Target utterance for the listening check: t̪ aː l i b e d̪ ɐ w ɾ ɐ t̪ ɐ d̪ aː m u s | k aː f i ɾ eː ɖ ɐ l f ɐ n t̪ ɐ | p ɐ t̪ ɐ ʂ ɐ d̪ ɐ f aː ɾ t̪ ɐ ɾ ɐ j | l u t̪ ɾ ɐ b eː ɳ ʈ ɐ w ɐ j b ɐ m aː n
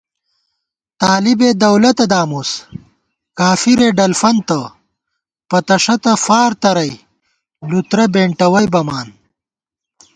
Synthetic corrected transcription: t̪ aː l i b e d̪ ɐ w l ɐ t̪ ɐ d̪ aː m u s | k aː f i ɾ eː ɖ ɐ l f ɐ n t̪ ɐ | p ɐ t̪ ɐ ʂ ɐ t̪ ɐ f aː ɾ t̪ ɐ ɾ ɐ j | l u t̪ ɾ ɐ b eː ɳ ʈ ɐ w ɐ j b ɐ m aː n